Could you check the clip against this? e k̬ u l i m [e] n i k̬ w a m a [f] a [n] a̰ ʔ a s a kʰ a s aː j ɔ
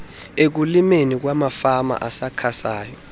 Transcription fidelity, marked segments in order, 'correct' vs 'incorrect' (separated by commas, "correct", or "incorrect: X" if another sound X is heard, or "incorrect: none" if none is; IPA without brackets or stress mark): correct, correct, incorrect: m